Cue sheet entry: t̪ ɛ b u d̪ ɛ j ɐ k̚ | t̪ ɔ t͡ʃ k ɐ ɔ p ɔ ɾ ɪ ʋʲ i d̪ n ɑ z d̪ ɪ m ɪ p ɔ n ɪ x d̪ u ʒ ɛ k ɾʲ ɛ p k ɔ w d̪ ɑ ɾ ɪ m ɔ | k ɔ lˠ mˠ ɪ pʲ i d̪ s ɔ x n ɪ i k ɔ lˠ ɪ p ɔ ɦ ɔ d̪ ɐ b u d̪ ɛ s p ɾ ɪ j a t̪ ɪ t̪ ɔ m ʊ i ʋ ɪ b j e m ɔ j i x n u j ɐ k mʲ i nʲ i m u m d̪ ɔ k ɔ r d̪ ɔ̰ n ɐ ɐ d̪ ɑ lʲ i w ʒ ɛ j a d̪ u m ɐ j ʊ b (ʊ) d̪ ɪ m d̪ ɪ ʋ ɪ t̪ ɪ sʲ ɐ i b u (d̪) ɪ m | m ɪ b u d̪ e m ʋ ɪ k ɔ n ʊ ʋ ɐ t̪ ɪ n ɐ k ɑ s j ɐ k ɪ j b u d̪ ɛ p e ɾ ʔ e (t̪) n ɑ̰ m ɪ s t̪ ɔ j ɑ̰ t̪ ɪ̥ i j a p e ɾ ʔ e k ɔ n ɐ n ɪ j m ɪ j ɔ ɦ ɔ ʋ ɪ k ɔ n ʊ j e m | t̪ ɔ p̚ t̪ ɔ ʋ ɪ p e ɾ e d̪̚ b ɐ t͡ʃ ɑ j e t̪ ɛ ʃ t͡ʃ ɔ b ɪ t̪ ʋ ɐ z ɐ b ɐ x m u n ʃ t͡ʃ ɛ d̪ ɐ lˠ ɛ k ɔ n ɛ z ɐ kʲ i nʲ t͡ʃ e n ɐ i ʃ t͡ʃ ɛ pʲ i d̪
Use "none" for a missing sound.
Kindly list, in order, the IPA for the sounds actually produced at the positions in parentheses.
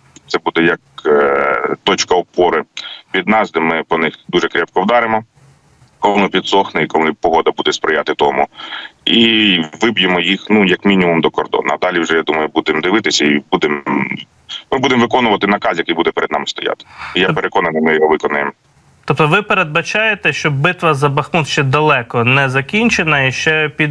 u, d̪, d̪

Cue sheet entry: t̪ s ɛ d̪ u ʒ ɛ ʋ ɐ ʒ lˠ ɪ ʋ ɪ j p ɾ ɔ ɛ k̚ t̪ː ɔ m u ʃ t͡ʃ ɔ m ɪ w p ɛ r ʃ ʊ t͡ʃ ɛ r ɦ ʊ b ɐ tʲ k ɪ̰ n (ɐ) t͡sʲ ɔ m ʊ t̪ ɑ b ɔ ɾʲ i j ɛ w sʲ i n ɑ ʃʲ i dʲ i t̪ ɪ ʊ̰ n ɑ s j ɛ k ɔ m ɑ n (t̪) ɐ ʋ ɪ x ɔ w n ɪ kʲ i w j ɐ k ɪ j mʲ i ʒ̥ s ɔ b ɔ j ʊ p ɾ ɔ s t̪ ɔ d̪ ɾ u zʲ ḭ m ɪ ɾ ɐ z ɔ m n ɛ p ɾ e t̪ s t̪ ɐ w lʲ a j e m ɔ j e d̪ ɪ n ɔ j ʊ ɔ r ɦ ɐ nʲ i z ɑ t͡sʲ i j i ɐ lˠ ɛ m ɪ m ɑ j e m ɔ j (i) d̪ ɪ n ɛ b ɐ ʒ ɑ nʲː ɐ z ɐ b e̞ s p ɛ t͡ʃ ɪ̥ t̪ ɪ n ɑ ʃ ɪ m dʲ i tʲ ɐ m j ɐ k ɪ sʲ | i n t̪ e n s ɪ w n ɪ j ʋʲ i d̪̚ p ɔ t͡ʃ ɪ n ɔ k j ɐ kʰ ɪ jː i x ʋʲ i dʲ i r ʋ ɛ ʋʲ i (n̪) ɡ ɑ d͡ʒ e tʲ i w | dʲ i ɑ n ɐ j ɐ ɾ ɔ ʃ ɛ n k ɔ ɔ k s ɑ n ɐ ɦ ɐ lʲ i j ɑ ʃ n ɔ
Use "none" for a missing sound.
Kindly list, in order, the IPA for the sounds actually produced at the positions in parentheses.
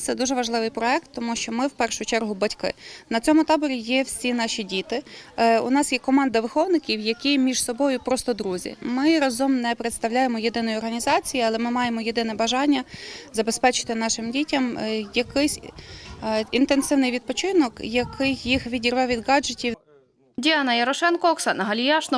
ɐ, d̪, e, d̪

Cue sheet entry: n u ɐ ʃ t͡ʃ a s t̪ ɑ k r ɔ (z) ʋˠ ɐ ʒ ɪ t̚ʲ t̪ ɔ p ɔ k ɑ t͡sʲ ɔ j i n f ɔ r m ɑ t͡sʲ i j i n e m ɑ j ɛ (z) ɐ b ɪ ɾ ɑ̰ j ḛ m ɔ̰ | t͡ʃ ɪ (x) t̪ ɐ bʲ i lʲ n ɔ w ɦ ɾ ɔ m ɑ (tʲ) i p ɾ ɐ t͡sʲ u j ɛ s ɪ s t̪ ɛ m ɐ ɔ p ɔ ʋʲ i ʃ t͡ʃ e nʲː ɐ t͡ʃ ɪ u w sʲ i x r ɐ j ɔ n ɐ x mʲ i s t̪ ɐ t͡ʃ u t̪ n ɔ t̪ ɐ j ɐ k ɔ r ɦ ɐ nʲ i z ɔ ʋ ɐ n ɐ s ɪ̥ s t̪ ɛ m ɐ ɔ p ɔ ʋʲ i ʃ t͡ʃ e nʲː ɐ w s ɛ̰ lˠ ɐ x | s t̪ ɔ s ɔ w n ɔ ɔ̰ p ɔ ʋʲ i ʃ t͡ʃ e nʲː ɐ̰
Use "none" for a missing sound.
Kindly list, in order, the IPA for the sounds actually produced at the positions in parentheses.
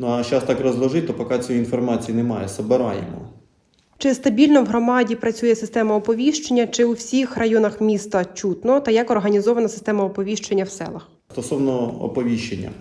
z, s, s, dʲ

